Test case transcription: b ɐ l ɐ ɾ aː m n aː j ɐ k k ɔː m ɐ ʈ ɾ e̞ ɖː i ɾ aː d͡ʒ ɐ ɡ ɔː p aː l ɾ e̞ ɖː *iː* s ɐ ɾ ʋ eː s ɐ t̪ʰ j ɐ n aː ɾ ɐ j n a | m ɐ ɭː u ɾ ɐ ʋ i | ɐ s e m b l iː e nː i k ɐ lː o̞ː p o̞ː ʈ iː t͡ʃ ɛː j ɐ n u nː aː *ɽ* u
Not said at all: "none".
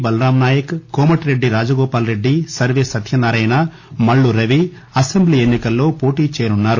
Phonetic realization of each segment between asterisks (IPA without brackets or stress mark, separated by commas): i, ɾ